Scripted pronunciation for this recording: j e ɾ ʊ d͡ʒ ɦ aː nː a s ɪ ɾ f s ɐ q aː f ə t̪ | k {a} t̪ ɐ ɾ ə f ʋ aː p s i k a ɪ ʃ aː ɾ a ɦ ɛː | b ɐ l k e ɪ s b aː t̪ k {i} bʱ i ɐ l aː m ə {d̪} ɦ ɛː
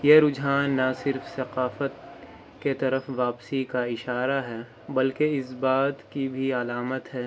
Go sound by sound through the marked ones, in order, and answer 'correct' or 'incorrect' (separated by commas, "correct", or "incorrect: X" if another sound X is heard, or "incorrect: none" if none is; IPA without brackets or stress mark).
incorrect: e, correct, incorrect: t̪